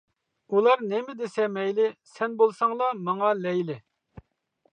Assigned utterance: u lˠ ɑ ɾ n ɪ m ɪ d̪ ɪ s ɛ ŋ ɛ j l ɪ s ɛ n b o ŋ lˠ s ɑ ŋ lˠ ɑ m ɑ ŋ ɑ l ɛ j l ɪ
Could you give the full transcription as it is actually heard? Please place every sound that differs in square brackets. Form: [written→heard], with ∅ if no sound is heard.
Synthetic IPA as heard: u lˠ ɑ ɾ n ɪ m ɪ d̪ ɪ s ɛ [ŋ→m] ɛ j l ɪ s ɛ n b o [ŋ→∅] lˠ s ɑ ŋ lˠ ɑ m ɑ ŋ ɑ l ɛ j l ɪ